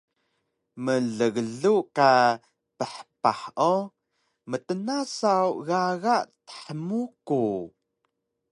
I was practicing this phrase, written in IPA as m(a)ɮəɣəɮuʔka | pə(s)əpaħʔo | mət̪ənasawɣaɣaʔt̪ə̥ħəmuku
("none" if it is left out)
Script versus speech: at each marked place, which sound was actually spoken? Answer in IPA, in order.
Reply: ə, ħ

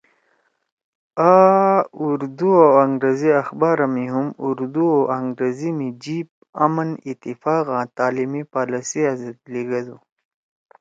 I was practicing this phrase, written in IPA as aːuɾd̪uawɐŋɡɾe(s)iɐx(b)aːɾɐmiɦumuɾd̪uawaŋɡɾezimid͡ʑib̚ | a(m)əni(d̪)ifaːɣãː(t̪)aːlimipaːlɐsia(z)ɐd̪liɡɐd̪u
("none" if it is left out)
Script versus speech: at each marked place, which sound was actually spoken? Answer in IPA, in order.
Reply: z, b, m, t̪, t̪, z

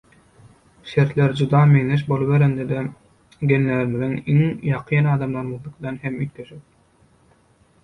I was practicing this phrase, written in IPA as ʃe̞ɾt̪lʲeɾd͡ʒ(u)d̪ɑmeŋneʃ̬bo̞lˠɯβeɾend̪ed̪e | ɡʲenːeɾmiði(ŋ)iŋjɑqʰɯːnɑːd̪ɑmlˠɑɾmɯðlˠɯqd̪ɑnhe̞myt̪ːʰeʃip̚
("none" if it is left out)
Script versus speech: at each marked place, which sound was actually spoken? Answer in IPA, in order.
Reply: u, ŋ

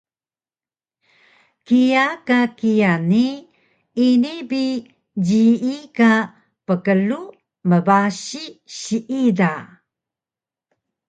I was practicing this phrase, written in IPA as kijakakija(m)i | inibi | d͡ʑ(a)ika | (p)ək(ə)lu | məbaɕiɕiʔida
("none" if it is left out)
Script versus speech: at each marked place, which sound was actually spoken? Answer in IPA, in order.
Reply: n, i, p, ə

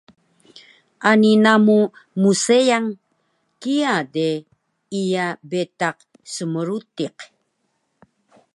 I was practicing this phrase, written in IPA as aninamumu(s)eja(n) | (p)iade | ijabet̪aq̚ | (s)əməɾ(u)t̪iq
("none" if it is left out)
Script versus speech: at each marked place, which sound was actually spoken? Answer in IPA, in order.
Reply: s, ŋ, k, s, u

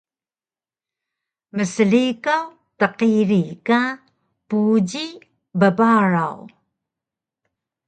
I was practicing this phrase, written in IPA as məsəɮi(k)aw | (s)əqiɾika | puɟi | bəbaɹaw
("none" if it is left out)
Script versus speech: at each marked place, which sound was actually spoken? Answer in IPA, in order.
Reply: k, t

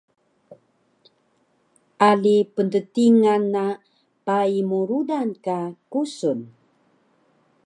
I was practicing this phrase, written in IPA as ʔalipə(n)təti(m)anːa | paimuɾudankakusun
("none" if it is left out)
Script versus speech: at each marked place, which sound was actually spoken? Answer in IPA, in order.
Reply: n, ŋ

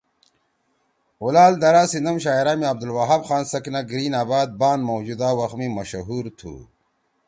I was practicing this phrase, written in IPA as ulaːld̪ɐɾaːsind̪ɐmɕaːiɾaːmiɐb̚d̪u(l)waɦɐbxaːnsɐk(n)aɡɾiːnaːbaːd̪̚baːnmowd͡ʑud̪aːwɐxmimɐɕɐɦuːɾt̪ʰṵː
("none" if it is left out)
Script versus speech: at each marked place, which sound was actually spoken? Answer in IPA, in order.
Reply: l, n

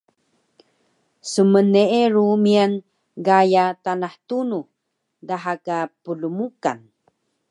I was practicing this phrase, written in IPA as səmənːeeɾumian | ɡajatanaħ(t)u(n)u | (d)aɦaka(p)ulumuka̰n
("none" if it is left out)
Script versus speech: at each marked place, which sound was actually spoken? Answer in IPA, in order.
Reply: t, n, d, p

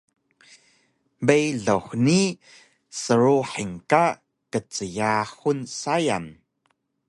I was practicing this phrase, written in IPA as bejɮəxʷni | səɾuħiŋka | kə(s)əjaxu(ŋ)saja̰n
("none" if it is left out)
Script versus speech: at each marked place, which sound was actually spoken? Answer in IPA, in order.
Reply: t͡s, n

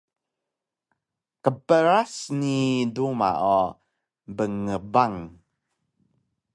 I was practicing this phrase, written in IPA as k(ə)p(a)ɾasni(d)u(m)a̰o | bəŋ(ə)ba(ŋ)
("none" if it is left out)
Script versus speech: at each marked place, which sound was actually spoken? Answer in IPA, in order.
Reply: ə, ə, d, m, ə, ŋ

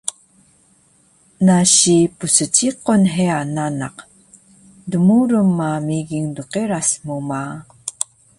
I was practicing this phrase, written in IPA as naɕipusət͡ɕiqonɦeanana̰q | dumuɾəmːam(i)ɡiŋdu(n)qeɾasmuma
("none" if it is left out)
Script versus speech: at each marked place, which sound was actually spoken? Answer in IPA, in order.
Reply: i, none

